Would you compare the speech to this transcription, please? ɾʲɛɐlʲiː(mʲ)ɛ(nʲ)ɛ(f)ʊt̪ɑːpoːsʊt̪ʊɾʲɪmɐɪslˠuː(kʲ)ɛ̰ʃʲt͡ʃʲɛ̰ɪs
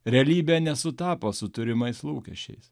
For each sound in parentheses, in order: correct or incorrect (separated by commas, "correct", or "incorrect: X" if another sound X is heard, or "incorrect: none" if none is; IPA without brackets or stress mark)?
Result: incorrect: bʲ, correct, incorrect: s, correct